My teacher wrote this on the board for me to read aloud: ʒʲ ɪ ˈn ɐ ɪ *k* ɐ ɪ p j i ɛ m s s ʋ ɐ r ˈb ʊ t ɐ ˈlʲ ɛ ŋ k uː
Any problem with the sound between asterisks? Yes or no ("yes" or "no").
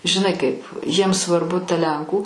no